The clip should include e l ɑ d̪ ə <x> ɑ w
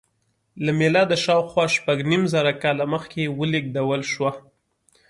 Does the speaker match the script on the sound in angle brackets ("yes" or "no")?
no